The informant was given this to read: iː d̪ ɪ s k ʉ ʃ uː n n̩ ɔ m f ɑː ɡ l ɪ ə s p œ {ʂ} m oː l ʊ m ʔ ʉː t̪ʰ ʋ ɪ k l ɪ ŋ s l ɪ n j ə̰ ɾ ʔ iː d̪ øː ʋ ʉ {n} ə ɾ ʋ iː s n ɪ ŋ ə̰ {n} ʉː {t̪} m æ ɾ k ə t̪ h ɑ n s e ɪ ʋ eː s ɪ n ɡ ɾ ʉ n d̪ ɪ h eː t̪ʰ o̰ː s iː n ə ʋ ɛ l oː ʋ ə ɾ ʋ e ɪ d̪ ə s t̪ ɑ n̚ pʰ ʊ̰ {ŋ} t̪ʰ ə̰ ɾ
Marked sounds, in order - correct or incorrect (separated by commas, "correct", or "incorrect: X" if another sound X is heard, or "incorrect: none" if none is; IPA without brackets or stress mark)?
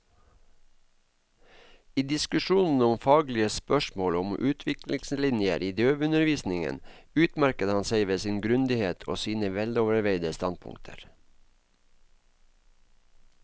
incorrect: ʃ, correct, correct, correct, correct